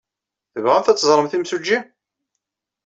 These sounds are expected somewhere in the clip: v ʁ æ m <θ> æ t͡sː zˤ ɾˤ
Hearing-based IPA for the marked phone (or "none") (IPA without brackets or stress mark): θ